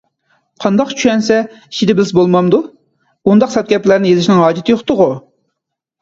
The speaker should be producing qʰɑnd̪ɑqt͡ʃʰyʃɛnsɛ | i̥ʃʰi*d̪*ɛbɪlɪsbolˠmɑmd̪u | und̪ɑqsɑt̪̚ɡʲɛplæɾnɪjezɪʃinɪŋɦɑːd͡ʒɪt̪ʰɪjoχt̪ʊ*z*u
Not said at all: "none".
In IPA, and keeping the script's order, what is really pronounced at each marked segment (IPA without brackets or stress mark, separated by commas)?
d̪, ʁ